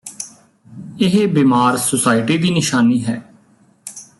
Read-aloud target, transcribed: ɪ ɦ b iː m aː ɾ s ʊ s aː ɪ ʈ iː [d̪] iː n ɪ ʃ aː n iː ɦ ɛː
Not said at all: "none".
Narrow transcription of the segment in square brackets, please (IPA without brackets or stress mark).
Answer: d̪